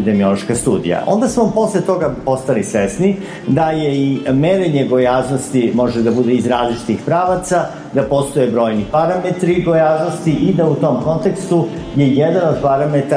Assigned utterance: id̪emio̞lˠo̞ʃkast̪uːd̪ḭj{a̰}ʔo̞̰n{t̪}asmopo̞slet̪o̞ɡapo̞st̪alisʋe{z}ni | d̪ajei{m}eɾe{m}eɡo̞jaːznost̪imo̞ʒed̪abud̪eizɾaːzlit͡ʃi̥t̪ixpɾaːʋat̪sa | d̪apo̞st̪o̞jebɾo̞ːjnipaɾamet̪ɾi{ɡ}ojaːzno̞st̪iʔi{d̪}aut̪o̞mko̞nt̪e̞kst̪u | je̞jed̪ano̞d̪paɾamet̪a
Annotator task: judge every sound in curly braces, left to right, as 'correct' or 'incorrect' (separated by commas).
correct, incorrect, incorrect, correct, incorrect, correct, correct